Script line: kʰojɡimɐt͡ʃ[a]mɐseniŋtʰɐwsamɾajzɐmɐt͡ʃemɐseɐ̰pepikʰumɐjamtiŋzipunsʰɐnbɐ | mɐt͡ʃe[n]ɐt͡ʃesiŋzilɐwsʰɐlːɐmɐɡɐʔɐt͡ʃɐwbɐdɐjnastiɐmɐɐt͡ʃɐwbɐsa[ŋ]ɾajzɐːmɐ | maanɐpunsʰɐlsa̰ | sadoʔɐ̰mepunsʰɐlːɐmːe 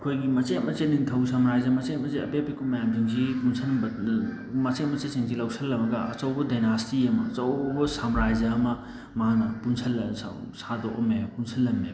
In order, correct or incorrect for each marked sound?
incorrect: e, incorrect: m, incorrect: m

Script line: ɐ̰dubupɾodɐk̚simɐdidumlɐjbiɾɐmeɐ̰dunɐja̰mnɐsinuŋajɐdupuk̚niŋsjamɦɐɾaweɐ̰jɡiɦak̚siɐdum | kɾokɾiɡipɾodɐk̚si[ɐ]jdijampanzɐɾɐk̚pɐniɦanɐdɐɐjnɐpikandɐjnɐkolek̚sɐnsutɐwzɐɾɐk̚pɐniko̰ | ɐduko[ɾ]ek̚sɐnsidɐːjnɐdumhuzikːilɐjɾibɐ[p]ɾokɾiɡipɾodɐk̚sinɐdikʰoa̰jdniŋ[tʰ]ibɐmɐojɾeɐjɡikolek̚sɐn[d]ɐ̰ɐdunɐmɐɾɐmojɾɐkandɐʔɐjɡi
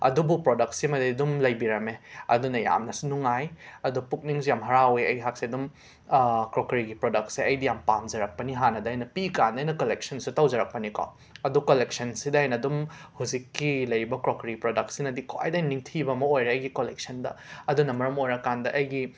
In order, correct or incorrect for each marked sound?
correct, incorrect: l, incorrect: k, correct, correct

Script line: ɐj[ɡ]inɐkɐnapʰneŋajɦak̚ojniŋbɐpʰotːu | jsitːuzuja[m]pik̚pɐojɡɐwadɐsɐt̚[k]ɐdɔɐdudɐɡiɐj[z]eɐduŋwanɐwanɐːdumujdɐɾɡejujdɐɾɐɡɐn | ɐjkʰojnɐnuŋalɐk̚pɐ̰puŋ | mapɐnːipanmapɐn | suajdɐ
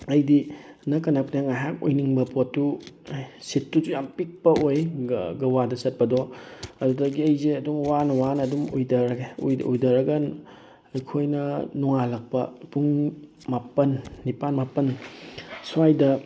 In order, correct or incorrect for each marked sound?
incorrect: d, correct, incorrect: p, correct

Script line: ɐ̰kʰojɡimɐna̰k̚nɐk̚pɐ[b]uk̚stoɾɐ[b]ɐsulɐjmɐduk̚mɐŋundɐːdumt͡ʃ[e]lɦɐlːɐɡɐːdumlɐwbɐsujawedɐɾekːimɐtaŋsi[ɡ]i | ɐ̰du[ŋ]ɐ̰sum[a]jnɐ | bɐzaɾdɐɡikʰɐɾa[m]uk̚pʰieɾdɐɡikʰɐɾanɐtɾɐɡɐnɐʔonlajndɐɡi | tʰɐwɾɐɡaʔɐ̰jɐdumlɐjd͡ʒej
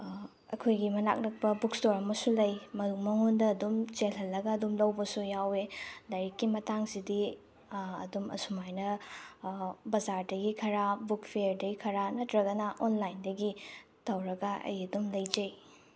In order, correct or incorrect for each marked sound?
correct, incorrect: m, correct, incorrect: d, incorrect: m, correct, incorrect: b

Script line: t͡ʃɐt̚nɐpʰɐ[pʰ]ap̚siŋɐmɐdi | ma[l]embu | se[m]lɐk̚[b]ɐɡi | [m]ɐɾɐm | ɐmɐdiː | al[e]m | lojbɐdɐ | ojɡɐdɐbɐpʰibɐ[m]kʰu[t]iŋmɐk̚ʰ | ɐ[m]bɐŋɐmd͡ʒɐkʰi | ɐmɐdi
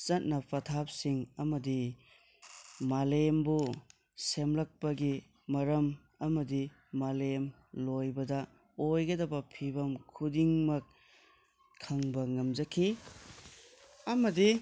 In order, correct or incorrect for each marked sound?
incorrect: tʰ, correct, correct, incorrect: p, correct, correct, correct, incorrect: d, incorrect: ŋ

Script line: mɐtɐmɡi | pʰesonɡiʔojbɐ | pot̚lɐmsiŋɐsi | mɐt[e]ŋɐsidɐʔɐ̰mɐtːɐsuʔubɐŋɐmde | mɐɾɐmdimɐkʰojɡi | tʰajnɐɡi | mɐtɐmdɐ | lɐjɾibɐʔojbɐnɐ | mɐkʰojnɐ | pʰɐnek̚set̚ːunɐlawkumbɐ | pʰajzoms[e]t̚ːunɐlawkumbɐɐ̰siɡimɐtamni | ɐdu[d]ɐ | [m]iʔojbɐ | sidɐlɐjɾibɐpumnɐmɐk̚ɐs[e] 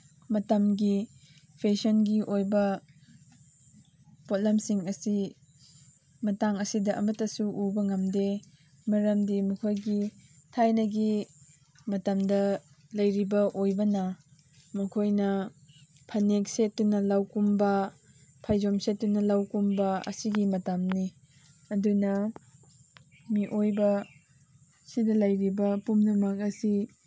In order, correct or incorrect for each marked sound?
incorrect: a, correct, incorrect: n, correct, incorrect: i

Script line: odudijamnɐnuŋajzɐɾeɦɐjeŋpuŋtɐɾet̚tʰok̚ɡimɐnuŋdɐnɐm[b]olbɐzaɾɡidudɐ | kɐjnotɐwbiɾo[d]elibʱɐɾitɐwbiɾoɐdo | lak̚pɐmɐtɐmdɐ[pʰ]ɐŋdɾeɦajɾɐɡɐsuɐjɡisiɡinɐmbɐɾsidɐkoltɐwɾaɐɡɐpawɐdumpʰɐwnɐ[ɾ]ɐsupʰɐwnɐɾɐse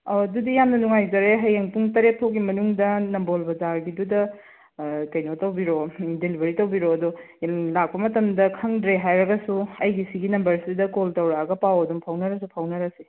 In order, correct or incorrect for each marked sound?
correct, correct, incorrect: kʰ, correct

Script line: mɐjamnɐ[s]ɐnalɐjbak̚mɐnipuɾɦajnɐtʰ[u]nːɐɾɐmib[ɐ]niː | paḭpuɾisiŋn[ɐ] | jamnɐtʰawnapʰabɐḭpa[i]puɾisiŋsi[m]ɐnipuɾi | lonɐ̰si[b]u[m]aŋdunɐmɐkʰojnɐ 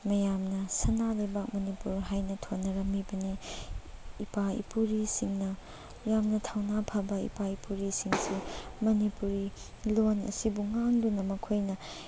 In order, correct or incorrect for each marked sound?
correct, incorrect: o, correct, correct, correct, correct, correct, incorrect: ŋ

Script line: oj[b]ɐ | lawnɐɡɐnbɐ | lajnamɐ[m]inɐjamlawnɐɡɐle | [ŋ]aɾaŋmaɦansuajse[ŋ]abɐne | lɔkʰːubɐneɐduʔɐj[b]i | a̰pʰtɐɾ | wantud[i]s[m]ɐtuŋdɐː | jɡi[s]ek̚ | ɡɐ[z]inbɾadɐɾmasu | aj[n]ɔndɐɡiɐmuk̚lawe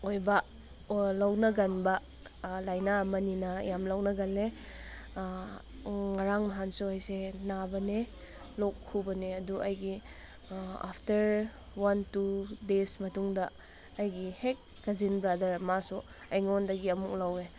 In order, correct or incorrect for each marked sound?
correct, incorrect: n, correct, incorrect: n, incorrect: ɡ, incorrect: e, correct, incorrect: h, correct, incorrect: ŋ

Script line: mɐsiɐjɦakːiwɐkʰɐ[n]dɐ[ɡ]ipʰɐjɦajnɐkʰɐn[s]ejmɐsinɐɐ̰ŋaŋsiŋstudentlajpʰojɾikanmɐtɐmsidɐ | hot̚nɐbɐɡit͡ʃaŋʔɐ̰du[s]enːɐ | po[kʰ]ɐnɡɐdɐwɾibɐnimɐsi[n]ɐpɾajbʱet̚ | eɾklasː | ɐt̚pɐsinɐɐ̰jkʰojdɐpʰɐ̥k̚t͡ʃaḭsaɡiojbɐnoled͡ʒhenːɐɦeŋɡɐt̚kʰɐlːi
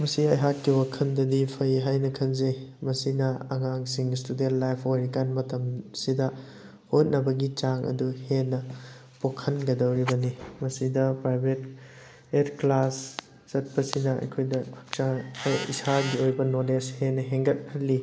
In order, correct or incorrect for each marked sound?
correct, incorrect: d, incorrect: z, incorrect: h, correct, incorrect: d

